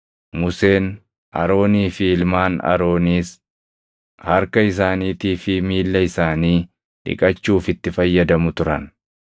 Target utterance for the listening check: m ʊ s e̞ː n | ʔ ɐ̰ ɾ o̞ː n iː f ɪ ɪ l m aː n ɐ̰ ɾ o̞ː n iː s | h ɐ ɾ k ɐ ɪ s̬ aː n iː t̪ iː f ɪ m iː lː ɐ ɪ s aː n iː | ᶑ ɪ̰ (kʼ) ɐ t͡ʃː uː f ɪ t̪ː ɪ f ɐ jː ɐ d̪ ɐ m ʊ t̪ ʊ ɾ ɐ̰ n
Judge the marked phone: correct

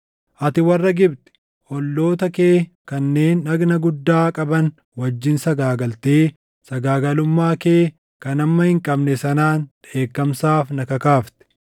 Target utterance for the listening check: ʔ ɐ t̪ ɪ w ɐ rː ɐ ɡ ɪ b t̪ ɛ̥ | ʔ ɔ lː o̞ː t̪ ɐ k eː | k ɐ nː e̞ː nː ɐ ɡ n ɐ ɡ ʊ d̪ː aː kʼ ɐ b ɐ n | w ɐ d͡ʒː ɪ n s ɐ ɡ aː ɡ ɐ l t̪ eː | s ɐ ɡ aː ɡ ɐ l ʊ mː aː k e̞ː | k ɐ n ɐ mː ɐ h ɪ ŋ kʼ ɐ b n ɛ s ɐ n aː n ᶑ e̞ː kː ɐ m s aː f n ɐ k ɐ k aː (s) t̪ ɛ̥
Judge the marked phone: incorrect: f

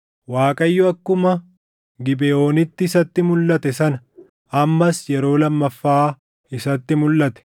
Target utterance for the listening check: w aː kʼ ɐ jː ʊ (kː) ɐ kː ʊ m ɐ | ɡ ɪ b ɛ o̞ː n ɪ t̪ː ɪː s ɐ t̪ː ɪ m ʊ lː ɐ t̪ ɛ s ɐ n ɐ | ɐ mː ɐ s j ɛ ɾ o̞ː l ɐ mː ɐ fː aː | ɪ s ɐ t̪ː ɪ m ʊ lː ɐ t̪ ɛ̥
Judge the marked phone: incorrect: none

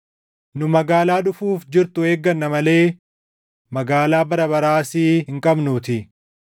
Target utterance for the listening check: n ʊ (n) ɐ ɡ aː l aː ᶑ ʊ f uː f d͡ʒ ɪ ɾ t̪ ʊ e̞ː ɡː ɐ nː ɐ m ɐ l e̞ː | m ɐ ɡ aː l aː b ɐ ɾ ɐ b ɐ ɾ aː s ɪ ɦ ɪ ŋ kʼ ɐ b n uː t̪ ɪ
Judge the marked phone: incorrect: m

